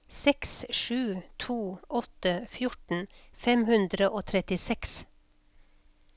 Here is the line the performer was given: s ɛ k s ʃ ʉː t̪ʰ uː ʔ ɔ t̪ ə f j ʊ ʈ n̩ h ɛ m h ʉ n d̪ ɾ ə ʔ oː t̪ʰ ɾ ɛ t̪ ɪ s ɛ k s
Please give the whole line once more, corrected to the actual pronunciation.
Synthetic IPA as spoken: s ɛ k s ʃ ʉː t̪ʰ uː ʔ ɔ t̪ ə f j ʊ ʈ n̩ f ɛ m h ʉ n d̪ ɾ ə ʔ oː t̪ʰ ɾ ɛ t̪ ɪ s ɛ k s